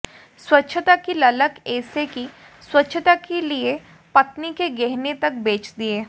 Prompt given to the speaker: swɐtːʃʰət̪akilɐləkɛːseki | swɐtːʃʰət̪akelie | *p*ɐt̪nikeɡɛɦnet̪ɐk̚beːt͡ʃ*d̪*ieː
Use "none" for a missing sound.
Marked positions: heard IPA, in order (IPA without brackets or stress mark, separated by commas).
p, d̪